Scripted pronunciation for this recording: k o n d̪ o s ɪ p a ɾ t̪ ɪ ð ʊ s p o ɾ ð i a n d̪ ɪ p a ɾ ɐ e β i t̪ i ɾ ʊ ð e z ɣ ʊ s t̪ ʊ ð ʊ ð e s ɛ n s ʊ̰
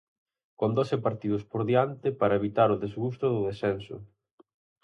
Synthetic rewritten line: k o n d̪ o s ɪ p a ɾ t̪ i ð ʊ s p o ɾ ð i a n t̪ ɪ p a ɾ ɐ e β i t̪ a ɾ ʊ ð e z ɣ u s t̪ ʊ ð ʊ ð e s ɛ n s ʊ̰

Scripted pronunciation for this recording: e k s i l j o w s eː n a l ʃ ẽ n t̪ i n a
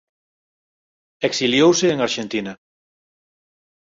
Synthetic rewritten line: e k s i l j o w s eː ŋ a ɾ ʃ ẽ n t̪ i n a

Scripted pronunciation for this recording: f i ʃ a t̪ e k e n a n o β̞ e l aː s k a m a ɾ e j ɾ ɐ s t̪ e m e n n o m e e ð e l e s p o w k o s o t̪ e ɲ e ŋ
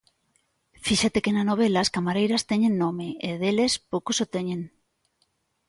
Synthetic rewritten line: f i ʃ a t̪ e k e n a n o β̞ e l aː s k a m a ɾ e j ɾ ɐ s t̪ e ɲ e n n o m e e ð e l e s p o w k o s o t̪ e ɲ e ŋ

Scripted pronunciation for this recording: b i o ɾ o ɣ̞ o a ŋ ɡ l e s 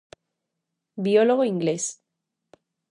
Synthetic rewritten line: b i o l o ɣ̞ o i ŋ ɡ l e s

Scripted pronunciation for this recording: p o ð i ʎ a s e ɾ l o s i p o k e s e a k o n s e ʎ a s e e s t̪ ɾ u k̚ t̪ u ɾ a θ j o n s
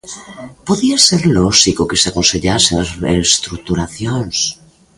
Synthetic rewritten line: p o ð i a s e ɾ l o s i k o k e s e a k o n s e ʎ a s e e s t̪ ɾ u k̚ t̪ u ɾ a θ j o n s

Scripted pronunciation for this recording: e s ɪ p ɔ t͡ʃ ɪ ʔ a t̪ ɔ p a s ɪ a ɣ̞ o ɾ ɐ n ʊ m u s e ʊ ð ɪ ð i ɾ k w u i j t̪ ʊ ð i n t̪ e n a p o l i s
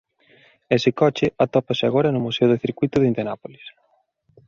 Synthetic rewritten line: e s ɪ k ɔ t͡ʃ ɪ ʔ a t̪ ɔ p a s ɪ a ɣ̞ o ɾ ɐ n ʊ m u s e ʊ ð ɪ θ i ɾ k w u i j t̪ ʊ ð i n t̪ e n a p o l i s

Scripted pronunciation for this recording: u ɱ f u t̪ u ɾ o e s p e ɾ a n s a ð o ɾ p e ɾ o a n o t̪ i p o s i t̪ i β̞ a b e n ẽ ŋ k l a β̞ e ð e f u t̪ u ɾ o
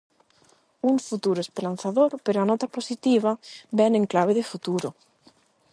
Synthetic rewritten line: u ɱ f u t̪ u ɾ o e s p e ɾ a n θ a ð o ɾ p e ɾ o a n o t̪ a p o s i t̪ i β̞ a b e n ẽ ŋ k l a β̞ e ð e f u t̪ u ɾ o

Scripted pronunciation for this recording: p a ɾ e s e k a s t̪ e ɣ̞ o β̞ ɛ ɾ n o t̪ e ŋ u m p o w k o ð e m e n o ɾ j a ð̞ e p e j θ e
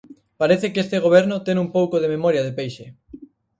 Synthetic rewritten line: p a ɾ e θ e k e s t̪ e ɣ̞ o β̞ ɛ ɾ n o t̪ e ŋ u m p o w k o ð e m e m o ɾ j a ð̞ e p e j ʃ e

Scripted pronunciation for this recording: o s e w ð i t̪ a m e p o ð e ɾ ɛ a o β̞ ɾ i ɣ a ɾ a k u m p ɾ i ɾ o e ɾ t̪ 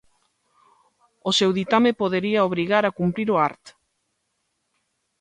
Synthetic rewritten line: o s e w ð i t̪ a m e p o ð e ɾ i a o β̞ ɾ i ɣ a ɾ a k u m p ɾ i ɾ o a ɾ t̪

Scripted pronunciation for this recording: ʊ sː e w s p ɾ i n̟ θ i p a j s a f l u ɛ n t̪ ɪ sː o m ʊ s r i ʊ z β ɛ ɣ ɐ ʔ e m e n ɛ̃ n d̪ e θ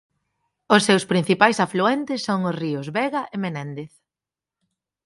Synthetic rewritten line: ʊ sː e w s p ɾ i n̟ θ i p a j s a f l u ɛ n t̪ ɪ sː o ŋ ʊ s r i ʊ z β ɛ ɣ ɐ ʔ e m e n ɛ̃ n d̪ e θ

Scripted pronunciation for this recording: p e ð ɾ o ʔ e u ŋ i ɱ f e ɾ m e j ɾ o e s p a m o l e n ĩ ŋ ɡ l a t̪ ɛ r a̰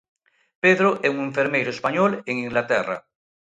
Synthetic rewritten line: p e ð ɾ o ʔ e u ŋ e ɱ f e ɾ m e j ɾ o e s p a ɲ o l e ŋ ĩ ŋ ɡ l a t̪ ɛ r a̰

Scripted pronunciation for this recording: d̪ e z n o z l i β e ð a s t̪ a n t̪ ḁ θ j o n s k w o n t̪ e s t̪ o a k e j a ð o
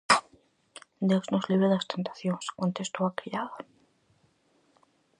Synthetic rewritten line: d̪ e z n o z l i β e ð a s t̪ e n t̪ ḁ θ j o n s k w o n t̪ e s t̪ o a k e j a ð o

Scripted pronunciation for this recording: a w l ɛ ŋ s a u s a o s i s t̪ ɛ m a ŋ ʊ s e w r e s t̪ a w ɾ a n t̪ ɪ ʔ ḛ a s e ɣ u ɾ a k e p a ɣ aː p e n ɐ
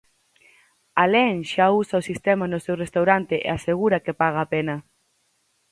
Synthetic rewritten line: a l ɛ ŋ ʃ a u s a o s i s t̪ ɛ m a n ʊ s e w r e s t̪ a w ɾ a n t̪ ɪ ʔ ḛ a s e ɣ u ɾ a k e p a ɣ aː p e n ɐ

